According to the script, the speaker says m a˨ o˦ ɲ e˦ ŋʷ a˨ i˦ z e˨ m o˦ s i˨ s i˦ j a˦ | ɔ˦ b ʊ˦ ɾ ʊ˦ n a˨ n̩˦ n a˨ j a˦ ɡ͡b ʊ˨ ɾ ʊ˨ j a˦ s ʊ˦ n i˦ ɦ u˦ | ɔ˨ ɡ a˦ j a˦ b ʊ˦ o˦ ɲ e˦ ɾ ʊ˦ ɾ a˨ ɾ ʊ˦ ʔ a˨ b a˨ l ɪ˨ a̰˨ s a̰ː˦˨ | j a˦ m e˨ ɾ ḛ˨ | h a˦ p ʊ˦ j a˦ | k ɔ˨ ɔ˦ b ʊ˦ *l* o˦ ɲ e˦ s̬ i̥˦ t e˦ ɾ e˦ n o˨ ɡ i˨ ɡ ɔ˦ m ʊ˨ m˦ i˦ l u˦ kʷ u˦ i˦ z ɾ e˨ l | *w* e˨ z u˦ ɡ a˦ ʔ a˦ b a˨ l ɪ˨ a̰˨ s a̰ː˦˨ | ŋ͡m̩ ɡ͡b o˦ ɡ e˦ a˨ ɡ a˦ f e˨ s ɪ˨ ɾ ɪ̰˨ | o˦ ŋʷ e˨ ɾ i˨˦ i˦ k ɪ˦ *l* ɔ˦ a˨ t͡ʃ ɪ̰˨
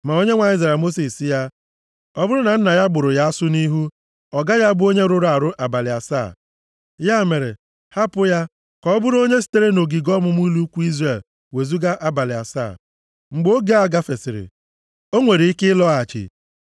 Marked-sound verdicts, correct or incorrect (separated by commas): incorrect, correct, correct